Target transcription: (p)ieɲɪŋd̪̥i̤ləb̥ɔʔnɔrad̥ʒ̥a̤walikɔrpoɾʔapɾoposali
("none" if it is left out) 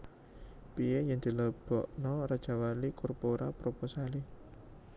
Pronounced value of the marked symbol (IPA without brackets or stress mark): p